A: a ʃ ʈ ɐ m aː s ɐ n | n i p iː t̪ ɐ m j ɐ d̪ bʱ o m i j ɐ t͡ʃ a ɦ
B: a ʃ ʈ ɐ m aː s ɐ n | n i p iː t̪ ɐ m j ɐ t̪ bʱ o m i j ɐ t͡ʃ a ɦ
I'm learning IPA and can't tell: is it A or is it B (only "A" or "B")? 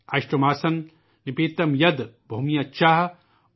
A